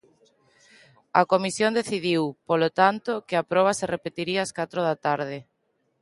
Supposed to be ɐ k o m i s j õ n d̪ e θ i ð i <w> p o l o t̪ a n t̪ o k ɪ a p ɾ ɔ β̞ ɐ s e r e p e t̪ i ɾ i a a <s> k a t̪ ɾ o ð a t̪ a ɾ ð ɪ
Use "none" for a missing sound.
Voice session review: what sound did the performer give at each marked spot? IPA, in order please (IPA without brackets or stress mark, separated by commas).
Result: w, s